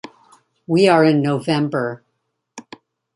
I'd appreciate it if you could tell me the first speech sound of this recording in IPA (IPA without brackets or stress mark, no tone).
w